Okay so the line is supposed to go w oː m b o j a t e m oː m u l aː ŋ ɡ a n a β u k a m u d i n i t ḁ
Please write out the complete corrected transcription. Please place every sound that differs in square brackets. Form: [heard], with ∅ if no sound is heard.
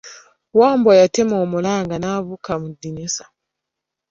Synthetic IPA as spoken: w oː m b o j a t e m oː m u l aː ŋ ɡ a n a β u k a m u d i n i [s] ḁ